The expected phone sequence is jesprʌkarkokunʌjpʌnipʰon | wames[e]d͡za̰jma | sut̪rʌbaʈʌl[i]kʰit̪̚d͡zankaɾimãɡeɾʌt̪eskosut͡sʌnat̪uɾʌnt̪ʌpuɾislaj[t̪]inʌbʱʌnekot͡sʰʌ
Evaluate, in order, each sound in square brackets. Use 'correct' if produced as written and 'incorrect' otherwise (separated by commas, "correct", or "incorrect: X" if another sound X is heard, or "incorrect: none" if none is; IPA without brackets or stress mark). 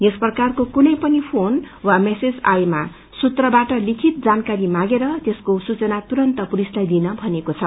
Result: correct, correct, incorrect: d̪